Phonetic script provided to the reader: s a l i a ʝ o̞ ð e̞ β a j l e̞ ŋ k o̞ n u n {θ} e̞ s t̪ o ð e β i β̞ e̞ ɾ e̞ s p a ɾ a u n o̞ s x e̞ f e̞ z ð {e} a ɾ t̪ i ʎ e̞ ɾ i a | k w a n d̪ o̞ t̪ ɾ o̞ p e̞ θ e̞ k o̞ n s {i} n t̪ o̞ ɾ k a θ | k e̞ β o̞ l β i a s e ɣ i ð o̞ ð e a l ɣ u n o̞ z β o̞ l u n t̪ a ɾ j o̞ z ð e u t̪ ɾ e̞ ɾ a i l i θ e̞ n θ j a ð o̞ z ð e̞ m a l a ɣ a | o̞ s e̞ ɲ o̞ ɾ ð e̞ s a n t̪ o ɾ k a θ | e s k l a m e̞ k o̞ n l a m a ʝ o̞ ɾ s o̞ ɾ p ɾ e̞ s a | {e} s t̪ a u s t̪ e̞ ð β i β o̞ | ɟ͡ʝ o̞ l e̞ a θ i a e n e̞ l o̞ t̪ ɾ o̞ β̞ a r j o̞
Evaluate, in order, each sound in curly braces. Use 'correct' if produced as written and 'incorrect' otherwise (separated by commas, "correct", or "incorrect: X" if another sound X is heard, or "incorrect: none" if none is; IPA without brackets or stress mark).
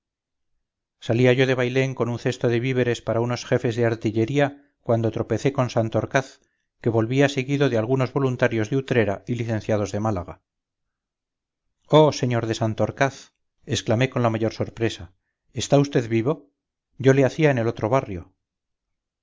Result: correct, correct, incorrect: a, correct